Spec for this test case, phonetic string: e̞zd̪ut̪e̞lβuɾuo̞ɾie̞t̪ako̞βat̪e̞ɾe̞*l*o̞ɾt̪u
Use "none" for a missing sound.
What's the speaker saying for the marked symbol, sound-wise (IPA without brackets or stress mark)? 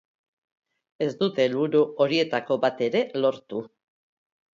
l